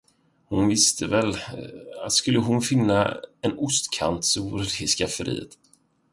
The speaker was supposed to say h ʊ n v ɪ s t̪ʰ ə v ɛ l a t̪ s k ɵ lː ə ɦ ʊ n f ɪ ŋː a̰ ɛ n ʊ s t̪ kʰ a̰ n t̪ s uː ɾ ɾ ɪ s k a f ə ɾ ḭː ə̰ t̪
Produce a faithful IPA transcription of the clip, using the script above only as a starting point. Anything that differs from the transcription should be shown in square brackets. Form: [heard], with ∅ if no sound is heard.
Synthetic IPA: h ʊ n v ɪ s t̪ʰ ə v ɛ l a t̪ s k ɵ lː ə ɦ ʊ n f ɪ [nː] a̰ ɛ n ʊ s t̪ kʰ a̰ n t̪ s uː ɾ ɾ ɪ s k a f ə ɾ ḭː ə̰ t̪

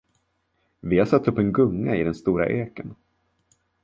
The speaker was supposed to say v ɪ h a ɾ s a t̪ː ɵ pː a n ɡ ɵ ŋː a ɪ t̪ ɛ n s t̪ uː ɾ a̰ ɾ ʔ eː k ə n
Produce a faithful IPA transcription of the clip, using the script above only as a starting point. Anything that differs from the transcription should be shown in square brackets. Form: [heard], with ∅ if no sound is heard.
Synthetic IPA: v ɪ h a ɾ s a t̪ː ɵ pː [ɛ] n ɡ ɵ ŋː a ɪ [d̪] ɛ n s t̪ uː ɾ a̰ [∅] ʔ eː k ə n

